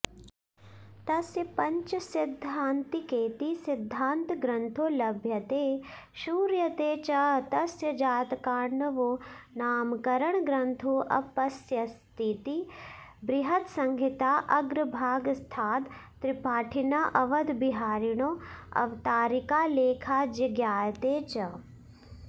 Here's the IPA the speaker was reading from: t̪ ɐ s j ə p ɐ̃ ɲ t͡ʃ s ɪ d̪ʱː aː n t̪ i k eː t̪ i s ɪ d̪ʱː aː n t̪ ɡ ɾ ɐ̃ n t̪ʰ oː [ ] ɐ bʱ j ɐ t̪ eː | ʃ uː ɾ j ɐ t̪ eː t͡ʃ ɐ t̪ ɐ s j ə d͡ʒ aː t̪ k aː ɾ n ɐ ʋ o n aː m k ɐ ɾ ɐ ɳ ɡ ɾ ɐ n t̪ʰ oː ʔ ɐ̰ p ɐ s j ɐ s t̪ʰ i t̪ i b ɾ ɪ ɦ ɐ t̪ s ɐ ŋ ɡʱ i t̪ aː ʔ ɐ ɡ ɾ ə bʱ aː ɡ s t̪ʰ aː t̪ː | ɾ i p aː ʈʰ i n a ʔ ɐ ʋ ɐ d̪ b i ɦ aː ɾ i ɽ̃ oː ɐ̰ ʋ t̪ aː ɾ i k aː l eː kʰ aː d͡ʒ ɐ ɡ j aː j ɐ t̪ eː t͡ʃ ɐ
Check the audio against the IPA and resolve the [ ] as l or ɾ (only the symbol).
l